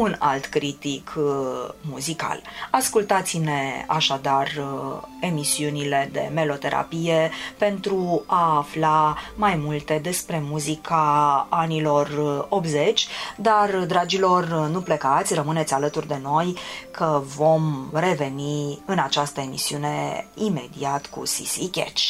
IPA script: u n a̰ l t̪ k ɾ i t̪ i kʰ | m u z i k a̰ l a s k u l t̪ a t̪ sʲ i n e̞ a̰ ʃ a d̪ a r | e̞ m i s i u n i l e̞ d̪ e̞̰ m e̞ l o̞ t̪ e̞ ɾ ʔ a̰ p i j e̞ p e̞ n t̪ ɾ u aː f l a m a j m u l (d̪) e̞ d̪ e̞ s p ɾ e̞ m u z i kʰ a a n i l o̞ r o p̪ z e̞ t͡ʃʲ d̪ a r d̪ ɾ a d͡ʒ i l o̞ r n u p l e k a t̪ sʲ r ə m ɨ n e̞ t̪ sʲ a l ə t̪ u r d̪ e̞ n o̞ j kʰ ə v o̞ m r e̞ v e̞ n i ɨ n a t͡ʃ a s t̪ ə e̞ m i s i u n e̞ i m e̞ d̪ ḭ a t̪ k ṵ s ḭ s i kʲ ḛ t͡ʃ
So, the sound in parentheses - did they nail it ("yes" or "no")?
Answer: no